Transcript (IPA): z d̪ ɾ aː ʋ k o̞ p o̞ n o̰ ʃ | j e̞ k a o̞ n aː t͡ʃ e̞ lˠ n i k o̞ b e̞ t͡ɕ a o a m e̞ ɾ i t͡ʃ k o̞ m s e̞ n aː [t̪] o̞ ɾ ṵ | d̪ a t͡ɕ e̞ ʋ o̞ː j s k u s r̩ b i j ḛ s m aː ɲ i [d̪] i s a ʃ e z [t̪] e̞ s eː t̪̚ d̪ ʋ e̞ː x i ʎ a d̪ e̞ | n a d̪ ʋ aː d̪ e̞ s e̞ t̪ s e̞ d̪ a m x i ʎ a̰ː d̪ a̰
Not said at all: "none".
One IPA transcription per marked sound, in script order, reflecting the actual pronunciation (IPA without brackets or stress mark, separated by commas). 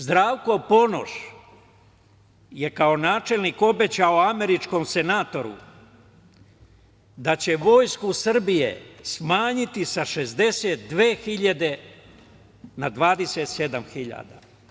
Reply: t̪, t̪, d̪